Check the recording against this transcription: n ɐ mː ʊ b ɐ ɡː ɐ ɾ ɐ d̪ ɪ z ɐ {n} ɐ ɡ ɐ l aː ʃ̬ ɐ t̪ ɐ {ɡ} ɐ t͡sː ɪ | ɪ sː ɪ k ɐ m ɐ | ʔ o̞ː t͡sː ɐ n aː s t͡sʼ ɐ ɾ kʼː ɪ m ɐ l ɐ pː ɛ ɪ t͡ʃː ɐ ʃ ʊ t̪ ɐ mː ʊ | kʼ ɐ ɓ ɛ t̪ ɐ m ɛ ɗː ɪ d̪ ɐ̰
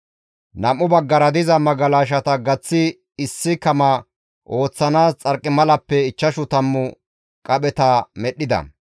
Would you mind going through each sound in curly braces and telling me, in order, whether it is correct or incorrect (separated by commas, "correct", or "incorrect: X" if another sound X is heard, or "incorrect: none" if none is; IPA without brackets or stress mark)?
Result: incorrect: m, correct